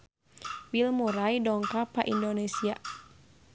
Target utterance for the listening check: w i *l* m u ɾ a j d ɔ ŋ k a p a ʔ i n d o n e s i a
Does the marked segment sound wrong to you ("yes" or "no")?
no